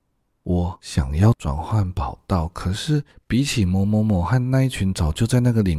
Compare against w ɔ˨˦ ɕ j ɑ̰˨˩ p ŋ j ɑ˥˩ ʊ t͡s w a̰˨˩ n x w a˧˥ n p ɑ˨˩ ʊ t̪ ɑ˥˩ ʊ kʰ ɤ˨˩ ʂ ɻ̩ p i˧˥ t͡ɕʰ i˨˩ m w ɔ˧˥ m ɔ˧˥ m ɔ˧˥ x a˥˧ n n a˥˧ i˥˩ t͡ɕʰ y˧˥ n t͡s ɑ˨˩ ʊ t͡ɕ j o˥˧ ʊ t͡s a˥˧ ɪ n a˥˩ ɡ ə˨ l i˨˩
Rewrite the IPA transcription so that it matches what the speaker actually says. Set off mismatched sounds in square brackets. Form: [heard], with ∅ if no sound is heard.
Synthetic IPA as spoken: w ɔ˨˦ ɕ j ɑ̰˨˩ [∅] ŋ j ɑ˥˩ ʊ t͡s w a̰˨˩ n x w [a˥˩] n p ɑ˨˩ ʊ t̪ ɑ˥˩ ʊ kʰ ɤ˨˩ ʂ ɻ̩ p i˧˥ t͡ɕʰ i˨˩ m w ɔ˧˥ m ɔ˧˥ m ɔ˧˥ x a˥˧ n n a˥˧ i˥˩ t͡ɕʰ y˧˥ n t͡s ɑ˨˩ ʊ t͡ɕ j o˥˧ ʊ t͡s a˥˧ ɪ n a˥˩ ɡ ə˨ l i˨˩